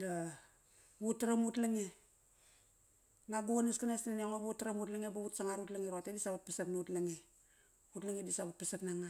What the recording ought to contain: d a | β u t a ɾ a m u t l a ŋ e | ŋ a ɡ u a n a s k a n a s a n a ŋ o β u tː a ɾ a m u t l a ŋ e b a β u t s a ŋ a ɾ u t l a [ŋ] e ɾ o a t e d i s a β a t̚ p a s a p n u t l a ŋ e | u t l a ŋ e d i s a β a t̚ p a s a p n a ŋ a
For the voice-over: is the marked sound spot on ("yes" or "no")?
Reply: yes